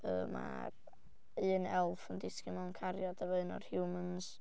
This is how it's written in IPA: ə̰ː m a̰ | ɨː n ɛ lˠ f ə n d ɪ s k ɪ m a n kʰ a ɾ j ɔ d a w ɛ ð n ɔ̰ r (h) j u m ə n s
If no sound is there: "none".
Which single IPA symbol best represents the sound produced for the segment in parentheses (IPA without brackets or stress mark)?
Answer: h